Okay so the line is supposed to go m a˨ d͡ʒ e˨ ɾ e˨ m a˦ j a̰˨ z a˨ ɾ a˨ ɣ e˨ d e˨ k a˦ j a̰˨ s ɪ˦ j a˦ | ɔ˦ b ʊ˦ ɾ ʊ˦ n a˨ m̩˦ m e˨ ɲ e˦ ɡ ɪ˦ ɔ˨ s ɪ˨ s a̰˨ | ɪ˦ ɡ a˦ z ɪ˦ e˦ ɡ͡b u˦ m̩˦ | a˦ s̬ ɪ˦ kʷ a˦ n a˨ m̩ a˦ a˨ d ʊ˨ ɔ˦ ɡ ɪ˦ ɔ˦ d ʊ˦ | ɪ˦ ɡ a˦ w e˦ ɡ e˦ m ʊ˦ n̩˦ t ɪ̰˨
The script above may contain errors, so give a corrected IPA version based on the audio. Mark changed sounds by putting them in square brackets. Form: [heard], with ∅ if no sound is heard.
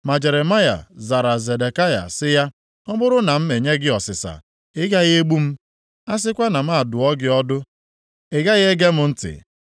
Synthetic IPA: m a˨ d͡ʒ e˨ ɾ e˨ m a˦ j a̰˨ z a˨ ɾ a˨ [z] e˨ d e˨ k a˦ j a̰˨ s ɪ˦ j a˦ | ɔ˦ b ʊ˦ ɾ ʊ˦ n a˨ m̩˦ m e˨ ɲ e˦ ɡ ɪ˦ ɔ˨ s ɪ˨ s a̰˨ | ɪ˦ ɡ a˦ [ɣ] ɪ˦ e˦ ɡ͡b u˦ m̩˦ | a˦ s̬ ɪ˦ kʷ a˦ n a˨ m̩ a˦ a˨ d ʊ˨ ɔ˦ ɡ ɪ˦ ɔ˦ d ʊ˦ | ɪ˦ ɡ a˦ [ɣ] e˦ ɡ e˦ m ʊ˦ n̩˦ t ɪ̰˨